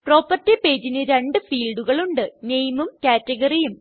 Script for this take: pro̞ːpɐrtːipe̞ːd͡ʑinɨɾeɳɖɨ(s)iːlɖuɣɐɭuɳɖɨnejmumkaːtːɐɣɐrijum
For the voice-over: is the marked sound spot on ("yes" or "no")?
no